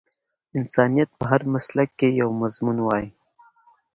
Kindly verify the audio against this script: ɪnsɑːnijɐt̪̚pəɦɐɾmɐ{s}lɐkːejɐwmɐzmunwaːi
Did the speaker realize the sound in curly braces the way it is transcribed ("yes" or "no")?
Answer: yes